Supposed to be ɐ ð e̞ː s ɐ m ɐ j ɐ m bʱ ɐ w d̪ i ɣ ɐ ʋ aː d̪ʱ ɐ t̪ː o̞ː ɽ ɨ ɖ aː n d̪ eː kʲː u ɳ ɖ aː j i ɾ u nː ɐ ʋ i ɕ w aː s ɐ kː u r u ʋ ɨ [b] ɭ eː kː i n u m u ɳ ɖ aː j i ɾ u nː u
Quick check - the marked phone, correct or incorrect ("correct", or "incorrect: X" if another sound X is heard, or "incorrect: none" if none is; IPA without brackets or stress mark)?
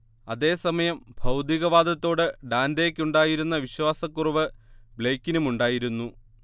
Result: correct